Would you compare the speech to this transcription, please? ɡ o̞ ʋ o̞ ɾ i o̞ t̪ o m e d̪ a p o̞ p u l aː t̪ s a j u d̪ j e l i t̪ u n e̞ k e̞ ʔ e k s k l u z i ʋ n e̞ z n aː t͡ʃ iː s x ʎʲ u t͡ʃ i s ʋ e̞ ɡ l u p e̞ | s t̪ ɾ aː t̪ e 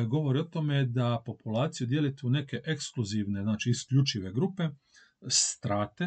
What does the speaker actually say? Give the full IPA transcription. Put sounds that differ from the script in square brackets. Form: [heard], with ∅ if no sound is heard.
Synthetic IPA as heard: ɡ o̞ ʋ o̞ ɾ i o̞ t̪ o m e d̪ a p o̞ p u l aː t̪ s [i] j u d̪ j e l i t̪ u n e̞ k e̞ ʔ e k s k l u z i ʋ n e̞ z n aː t͡ʃ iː s [k] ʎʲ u t͡ʃ i [∅] ʋ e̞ ɡ [ɾ] u p e̞ | s t̪ ɾ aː t̪ e